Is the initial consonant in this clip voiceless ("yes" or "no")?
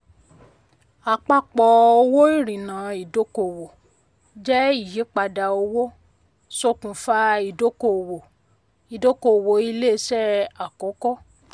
yes